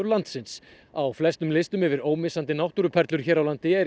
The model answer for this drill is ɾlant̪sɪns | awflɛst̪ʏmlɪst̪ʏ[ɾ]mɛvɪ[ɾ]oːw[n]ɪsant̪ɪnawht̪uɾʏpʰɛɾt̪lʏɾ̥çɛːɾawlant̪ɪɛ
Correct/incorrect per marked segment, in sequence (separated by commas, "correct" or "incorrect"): incorrect, correct, incorrect